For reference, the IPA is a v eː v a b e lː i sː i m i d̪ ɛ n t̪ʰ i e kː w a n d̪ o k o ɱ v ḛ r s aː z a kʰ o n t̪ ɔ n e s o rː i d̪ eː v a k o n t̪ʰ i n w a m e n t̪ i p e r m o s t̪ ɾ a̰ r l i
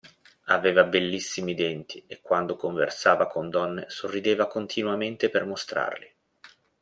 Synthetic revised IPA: a v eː v a b e lː i sː i m i d̪ ɛ n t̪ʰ i e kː w a n d̪ o k o ɱ v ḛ r s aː v a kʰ o n d̪ ɔ nː e s o rː i d̪ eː v a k o n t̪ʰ i n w a m e n t̪ e p e r m o s t̪ ɾ a̰ r l i